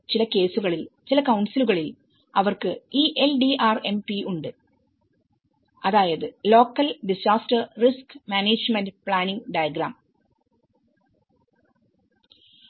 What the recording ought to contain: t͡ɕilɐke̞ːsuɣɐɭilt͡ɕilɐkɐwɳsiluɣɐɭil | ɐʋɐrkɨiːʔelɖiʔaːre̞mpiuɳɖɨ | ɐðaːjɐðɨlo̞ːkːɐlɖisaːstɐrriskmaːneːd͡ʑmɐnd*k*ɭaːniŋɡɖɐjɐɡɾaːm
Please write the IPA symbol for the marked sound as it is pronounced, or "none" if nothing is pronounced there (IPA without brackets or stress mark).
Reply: p